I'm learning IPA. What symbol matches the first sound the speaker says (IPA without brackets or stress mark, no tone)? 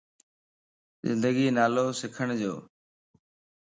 z